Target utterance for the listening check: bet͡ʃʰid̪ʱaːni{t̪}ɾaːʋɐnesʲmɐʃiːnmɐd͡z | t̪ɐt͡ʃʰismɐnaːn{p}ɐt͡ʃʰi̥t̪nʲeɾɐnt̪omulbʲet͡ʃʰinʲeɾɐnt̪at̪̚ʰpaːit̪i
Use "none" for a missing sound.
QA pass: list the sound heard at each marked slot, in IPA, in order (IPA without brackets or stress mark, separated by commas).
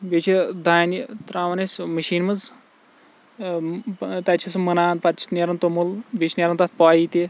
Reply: t̪, p